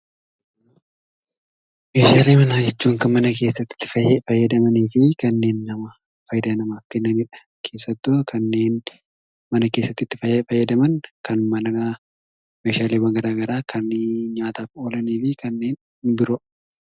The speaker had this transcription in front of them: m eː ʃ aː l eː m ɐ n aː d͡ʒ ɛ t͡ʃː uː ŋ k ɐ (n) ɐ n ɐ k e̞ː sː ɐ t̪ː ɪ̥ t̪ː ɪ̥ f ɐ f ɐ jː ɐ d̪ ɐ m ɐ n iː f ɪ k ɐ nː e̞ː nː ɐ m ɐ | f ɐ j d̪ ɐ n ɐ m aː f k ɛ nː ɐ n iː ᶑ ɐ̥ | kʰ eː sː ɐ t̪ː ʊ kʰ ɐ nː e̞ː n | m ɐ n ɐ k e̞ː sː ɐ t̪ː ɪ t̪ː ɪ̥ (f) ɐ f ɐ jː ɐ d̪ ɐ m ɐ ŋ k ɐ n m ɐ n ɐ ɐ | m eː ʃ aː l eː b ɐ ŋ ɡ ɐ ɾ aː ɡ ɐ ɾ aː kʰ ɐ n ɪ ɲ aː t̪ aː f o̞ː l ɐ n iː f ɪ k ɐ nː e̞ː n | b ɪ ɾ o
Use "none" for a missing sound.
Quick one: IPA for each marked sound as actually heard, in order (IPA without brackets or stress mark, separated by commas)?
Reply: m, f